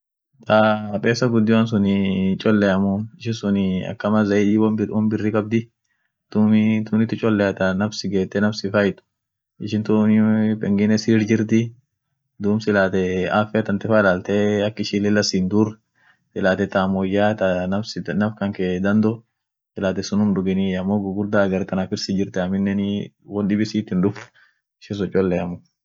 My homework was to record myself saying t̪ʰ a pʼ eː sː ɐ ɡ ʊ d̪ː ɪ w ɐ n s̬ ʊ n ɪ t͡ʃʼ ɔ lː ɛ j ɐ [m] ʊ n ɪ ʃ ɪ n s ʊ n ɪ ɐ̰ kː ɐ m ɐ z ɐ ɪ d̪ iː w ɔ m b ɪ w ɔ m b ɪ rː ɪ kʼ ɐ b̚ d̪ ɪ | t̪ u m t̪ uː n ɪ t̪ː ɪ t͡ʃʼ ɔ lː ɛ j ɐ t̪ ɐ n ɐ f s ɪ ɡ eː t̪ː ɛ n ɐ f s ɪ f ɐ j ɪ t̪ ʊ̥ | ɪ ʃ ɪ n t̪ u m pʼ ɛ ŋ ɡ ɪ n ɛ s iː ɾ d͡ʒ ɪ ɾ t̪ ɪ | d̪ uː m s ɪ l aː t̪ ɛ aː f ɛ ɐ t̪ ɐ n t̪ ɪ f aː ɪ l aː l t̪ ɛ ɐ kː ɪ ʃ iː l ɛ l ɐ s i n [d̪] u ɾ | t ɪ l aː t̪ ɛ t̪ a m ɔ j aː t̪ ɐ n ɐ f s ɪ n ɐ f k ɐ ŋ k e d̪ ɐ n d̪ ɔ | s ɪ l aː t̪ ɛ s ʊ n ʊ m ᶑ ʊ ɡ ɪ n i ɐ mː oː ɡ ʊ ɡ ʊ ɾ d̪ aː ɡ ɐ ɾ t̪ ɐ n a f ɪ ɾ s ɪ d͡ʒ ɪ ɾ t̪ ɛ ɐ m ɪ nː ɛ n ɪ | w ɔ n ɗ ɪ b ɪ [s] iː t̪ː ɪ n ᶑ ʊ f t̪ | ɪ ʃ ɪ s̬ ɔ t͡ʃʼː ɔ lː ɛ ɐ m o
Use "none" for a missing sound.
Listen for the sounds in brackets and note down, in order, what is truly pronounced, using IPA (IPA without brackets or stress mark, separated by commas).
m, d̪, s